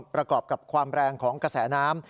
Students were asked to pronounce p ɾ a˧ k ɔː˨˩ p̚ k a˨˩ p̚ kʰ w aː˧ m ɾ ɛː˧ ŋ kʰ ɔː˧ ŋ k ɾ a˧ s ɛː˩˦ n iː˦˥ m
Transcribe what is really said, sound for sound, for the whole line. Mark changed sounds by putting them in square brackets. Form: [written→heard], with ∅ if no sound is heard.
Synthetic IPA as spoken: p ɾ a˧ k ɔː˨˩ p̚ k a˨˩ p̚ kʰ w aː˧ m ɾ ɛː˧ ŋ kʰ [ɔː˧→ɔː˩˦] ŋ k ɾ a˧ s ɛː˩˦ n [iː˦˥→aː˦˥] m